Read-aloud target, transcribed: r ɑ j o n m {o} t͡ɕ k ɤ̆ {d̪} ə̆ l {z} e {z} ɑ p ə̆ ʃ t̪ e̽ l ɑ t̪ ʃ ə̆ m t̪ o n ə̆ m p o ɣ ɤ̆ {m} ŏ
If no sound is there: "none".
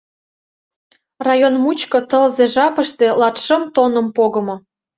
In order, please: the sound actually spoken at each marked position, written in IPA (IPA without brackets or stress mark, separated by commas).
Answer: u, t̪, z, ʒ, m